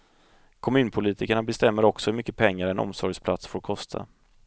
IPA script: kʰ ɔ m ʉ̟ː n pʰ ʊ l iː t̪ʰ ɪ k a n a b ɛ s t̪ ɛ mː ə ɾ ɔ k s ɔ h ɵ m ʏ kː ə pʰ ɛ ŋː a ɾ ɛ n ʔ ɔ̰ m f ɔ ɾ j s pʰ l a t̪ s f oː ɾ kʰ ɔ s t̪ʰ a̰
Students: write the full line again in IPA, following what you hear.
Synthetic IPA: kʰ ɔ m ʉ̟ː n pʰ ʊ l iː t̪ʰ ɪ k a ɳ a b ɛ s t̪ ɛ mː ə ɾ ɔ k s ɔ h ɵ m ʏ kː ə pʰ ɛ ŋː a ɾ ɛ n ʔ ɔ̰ m s ɔ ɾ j s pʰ l a t̪ s f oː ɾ kʰ ɔ s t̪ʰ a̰

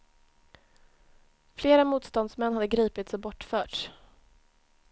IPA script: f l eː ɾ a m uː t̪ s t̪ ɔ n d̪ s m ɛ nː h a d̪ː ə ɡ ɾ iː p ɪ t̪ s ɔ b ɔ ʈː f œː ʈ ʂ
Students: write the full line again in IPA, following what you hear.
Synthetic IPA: f l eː ɾ a m uː t̪ s t̪ ɔ n d̪ s m ɛ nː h a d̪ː ə ɡ ɾ iː p ɪ t̪ s ɔ b ɔ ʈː f œː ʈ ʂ

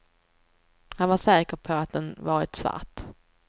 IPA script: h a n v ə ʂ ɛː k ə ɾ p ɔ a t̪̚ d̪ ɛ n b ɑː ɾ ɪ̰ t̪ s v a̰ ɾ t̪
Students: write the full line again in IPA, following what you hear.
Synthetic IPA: h a n v a ʂ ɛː k ə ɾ pʰ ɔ a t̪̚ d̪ ɛ n v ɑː ɾ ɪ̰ t̪ s v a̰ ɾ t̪

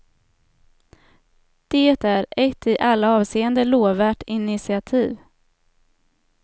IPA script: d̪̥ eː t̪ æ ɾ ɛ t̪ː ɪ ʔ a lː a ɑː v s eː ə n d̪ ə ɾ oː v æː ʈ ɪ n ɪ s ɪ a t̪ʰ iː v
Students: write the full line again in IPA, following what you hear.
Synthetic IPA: d̪̥ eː t̪ æ ɾ ɛ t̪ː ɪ ʔ a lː a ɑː v s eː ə n d̪ ə l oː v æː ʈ ɪ n ɪ s ɪ a t̪ʰ iː v

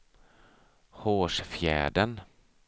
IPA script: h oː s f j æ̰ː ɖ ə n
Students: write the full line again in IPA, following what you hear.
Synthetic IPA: h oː ʂ f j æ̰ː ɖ ə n

